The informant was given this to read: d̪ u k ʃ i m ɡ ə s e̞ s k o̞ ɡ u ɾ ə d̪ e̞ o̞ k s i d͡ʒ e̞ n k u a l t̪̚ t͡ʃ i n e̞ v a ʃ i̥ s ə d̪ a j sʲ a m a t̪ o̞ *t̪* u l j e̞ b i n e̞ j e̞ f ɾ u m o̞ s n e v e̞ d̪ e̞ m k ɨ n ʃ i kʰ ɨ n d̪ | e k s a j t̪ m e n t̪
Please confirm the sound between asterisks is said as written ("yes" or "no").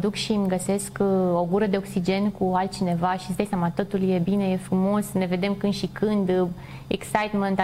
yes